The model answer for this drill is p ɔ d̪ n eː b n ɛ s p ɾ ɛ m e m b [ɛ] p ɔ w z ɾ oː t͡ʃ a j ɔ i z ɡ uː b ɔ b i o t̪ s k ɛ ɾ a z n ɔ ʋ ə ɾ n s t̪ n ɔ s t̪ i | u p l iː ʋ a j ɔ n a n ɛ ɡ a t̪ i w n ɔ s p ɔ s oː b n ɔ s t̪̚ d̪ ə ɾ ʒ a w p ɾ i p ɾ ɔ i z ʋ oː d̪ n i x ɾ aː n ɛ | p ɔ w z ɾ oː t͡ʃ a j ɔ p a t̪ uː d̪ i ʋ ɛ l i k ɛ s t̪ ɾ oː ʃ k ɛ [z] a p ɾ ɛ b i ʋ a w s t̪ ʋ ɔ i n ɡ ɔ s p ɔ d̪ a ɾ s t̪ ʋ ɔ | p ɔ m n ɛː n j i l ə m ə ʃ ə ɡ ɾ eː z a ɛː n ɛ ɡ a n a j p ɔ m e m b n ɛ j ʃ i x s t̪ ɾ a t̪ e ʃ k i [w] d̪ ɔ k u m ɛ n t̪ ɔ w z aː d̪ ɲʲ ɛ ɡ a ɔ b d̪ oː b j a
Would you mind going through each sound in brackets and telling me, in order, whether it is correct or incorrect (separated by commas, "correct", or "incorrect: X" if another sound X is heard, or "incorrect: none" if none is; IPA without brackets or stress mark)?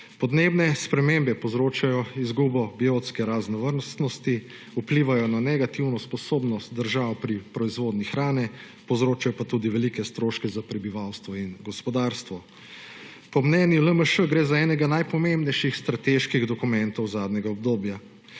correct, correct, incorrect: ɣ